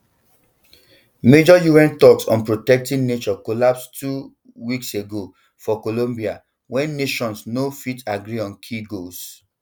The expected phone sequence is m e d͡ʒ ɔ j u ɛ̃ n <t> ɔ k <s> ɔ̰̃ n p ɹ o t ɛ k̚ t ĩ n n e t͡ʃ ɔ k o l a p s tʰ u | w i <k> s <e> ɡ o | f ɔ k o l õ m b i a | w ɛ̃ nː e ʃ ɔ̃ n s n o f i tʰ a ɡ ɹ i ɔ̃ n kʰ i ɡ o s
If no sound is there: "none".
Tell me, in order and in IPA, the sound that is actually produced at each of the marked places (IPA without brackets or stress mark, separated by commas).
t, s, k, e